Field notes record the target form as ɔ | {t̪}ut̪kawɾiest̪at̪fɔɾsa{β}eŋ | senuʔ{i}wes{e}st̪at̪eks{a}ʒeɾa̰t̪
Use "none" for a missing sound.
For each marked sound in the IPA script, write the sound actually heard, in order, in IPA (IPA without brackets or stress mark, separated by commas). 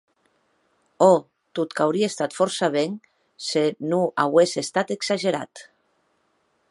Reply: t̪, β, a, e, a